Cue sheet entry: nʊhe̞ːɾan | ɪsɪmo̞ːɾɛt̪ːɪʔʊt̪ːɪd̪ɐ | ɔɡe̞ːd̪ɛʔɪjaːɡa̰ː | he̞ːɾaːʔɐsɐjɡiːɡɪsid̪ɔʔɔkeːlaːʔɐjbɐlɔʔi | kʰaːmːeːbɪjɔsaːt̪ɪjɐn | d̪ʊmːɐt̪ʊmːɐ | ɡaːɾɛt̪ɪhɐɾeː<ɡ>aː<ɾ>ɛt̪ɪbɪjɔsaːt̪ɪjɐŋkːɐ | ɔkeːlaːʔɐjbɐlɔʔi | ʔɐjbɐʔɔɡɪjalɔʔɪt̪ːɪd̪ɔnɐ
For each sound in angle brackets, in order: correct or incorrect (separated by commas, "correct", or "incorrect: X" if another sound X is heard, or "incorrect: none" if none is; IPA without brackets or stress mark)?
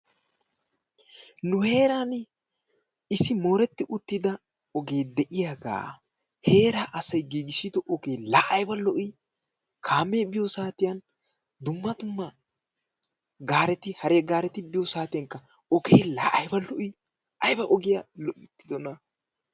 correct, correct